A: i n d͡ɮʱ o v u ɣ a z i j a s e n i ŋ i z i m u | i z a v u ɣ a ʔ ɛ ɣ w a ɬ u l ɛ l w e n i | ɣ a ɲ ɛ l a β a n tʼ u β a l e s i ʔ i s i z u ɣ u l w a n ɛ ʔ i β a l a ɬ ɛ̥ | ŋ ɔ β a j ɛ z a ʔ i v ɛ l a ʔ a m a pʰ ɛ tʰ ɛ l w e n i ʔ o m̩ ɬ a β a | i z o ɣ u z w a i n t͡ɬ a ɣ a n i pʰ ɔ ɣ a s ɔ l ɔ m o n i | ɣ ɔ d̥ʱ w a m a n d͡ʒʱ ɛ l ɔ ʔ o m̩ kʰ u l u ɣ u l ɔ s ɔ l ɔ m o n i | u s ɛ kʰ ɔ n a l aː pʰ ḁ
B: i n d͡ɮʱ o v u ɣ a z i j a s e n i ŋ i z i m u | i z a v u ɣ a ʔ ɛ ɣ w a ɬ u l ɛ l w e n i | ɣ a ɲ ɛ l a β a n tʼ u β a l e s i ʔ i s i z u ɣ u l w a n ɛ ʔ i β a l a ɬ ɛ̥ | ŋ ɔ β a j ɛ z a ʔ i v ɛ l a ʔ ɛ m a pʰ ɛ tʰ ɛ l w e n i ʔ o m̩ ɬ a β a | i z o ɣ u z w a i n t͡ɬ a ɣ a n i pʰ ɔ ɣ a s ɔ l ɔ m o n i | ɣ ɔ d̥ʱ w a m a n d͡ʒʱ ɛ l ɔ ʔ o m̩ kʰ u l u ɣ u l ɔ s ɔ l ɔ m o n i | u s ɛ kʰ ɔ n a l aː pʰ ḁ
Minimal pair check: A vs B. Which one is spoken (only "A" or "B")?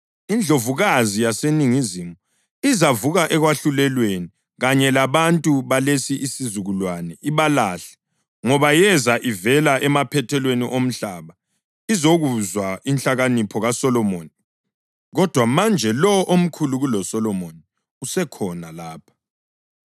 B